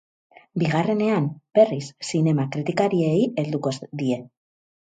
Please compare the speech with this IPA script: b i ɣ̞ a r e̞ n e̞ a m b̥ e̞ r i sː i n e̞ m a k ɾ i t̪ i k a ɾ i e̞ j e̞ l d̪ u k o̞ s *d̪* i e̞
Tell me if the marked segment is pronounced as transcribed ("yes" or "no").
yes